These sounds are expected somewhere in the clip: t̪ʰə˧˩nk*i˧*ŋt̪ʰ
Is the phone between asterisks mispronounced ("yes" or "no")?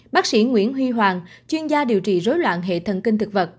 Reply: no